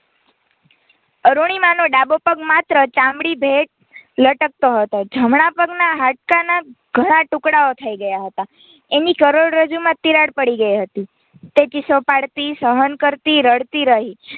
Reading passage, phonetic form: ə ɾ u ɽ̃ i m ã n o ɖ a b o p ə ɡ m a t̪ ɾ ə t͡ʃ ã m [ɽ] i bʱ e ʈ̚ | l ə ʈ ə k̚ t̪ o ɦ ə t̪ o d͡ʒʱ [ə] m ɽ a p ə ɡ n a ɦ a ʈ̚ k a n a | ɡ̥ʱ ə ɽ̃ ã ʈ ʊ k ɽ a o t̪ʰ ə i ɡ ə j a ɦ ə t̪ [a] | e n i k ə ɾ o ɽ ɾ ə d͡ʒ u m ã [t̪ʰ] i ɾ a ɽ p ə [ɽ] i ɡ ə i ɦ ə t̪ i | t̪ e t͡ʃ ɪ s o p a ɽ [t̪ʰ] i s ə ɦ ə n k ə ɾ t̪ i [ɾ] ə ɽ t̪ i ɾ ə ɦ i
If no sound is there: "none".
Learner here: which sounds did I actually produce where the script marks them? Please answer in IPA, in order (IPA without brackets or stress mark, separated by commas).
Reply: ɽ, ə, a, t̪, ɽ, t̪, ɾ